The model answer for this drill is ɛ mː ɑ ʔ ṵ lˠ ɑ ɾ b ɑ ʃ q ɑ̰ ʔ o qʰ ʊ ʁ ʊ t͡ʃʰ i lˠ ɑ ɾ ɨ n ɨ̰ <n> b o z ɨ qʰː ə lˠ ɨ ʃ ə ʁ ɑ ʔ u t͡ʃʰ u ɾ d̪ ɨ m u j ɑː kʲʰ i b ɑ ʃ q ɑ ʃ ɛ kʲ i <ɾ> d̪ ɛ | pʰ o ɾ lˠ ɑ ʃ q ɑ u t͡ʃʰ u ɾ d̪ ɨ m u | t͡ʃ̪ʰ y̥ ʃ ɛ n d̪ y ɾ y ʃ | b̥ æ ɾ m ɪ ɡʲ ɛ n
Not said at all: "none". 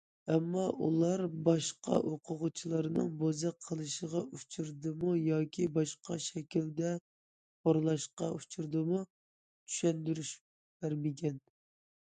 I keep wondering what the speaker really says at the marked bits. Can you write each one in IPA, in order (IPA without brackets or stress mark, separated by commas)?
ŋ, l